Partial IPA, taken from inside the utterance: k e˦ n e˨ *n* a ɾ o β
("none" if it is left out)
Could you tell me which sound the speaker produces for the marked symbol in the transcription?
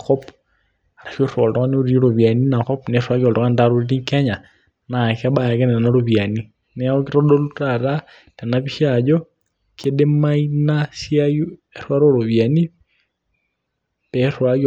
n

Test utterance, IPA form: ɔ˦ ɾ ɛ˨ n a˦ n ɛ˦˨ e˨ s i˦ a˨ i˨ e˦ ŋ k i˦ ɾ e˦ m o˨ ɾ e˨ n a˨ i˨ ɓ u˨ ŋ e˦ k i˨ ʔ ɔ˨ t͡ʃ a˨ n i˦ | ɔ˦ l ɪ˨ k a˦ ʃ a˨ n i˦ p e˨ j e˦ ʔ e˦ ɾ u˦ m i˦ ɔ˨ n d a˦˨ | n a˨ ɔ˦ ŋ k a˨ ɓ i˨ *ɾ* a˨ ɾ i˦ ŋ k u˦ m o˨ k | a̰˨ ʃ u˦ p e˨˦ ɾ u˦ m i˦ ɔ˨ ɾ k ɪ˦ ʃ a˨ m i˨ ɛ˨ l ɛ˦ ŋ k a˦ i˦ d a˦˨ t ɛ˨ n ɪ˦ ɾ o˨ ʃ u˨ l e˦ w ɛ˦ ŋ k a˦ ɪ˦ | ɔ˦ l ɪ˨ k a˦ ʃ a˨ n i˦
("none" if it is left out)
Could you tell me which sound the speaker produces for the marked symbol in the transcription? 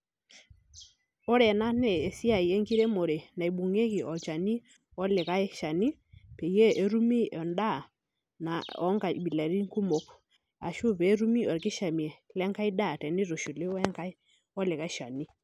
l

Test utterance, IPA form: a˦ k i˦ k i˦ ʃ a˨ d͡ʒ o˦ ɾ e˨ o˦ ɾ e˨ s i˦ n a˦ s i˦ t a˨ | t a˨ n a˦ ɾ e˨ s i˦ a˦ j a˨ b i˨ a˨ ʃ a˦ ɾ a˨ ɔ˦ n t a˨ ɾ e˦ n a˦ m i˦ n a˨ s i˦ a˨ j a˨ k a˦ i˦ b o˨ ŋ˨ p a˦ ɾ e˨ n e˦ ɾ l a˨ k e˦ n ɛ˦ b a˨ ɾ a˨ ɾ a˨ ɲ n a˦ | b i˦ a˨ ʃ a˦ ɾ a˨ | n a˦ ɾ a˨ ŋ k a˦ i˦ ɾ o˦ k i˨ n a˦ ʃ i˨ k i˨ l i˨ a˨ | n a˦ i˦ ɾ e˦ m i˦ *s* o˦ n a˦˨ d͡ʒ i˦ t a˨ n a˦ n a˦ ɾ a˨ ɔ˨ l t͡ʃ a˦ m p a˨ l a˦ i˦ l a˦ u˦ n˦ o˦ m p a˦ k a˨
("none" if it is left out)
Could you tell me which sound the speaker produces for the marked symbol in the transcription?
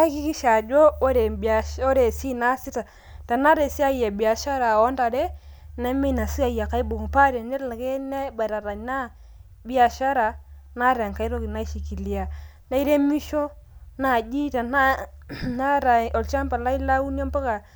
ʃ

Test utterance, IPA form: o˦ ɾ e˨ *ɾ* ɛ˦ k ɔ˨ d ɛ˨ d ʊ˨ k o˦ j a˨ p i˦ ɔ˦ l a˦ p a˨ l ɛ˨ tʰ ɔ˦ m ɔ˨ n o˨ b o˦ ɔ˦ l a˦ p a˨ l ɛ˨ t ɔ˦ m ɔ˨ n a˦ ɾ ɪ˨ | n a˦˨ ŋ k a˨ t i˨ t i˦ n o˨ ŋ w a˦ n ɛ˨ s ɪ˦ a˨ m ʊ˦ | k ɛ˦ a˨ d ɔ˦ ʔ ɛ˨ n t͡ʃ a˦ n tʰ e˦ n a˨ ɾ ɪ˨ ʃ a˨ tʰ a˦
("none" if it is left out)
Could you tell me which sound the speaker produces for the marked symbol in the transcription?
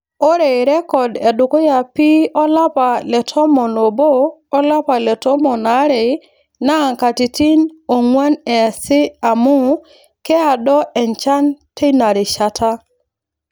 ɾ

